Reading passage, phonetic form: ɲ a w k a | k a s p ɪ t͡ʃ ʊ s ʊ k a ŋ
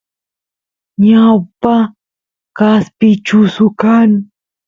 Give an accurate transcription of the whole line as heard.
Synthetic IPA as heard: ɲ a w p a | k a s p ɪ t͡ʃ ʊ s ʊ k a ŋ